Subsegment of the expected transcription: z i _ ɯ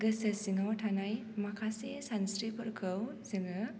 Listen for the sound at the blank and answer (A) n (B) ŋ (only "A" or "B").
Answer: B